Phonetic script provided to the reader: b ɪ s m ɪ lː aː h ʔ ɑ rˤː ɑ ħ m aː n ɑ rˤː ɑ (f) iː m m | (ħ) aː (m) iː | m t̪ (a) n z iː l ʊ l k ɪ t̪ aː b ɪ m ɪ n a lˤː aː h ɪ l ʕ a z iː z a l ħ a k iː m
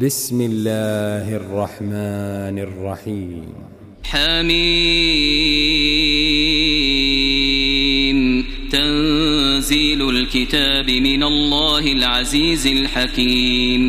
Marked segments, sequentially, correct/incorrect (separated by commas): incorrect, correct, correct, correct